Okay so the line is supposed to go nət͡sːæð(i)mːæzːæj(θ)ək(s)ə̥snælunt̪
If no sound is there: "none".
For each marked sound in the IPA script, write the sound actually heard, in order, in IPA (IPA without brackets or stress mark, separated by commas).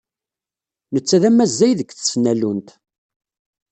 æ, ð, θ